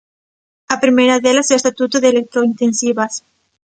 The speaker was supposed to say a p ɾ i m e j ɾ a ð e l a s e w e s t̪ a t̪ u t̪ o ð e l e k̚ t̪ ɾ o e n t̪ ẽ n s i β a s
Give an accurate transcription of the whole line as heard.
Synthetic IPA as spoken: a p ɾ i m e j ɾ a ð e l a s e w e s t̪ a t̪ u t̪ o ð e l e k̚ t̪ ɾ o i n t̪ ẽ n s i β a s